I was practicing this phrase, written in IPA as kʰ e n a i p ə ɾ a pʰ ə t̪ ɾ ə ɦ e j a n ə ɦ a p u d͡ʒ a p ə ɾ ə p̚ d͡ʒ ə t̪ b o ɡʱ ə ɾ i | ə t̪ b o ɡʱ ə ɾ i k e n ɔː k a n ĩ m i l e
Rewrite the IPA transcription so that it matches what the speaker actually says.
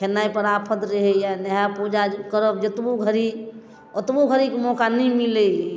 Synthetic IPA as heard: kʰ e n a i p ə ɾ a pʰ ə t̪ ɾ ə ɦ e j a n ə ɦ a p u d͡ʒ a k ə ɾ ə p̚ d͡ʒ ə t̪ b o ɡʱ ə ɾ i | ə t̪ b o ɡʱ ə ɾ i k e m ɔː k a n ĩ m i l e